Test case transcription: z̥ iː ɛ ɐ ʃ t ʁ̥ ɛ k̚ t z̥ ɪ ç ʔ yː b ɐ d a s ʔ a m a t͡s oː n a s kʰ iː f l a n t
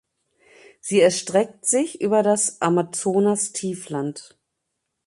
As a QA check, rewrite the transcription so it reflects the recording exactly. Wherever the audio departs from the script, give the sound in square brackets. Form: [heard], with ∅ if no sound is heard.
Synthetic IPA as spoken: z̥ iː ɛ ɐ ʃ t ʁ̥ ɛ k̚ t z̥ ɪ ç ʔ yː b ɐ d a s ʔ a m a t͡s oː n a s [tʰ] iː f l a n t